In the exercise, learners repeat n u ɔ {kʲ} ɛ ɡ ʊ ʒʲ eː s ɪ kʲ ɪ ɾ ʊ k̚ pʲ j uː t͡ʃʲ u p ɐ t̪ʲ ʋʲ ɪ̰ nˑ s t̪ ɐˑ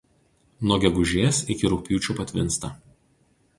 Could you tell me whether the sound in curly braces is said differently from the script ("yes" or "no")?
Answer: yes